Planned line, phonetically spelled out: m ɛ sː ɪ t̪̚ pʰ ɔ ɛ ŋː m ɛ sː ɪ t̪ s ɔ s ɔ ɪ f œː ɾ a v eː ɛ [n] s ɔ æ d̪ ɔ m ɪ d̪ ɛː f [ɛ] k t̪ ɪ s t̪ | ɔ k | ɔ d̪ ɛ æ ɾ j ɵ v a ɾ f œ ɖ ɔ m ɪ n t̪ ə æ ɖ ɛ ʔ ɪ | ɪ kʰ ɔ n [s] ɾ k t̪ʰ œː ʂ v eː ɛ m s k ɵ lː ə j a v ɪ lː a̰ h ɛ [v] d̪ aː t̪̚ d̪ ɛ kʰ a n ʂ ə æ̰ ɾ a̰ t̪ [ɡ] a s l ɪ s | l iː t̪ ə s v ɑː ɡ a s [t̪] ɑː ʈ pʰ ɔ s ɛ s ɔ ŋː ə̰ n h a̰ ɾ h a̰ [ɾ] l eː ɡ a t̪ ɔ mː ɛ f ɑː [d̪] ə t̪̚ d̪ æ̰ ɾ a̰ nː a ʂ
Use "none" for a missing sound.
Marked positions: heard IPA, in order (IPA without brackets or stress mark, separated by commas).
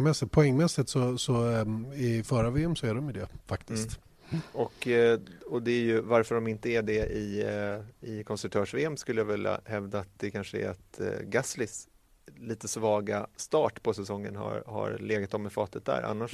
m, a, s, v, ɡ, t̪, ɾ, t̪